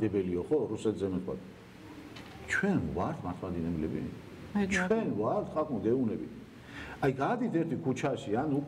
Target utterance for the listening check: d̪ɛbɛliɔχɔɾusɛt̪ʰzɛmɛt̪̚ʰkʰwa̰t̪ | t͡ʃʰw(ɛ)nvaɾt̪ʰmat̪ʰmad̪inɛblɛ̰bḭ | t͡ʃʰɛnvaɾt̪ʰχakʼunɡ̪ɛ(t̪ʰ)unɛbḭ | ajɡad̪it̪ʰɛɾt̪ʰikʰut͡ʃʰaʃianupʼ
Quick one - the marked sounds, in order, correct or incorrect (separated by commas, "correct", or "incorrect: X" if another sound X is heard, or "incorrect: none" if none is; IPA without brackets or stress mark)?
correct, incorrect: none